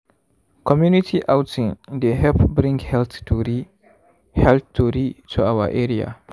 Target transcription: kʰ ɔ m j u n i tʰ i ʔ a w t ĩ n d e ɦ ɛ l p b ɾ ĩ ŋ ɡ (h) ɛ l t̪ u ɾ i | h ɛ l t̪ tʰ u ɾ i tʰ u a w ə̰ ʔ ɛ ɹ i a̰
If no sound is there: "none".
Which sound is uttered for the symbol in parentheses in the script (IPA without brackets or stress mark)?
h